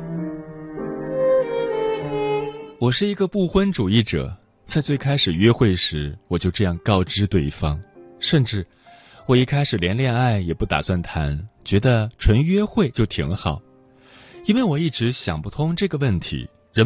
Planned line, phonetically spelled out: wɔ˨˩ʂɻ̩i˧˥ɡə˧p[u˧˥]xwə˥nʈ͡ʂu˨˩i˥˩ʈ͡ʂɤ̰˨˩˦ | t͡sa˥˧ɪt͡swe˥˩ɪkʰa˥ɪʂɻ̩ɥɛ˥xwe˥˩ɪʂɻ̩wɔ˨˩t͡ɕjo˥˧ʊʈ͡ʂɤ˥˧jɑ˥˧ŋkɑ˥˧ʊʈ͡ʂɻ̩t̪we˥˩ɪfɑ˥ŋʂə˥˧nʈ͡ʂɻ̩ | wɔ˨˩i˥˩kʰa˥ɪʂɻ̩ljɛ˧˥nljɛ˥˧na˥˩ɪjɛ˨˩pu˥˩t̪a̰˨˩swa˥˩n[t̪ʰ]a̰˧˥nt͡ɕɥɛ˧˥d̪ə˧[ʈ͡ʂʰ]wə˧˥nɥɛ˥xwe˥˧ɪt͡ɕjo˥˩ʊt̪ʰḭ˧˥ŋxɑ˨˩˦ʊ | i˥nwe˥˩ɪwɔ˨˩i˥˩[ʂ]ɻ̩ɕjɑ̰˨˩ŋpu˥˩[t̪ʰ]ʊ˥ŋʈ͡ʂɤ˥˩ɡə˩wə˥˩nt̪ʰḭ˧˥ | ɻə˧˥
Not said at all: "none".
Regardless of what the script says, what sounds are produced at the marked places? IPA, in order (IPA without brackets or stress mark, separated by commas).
u˥˩, t̪ʰ, ʈ͡ʂʰ, ʈ͡ʂ, t̪ʰ